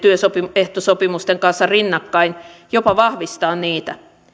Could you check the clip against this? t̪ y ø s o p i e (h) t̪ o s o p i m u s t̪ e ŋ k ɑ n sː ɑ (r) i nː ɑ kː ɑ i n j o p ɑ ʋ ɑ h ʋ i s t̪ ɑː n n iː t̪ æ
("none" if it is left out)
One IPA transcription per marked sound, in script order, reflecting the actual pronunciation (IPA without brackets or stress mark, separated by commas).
h, r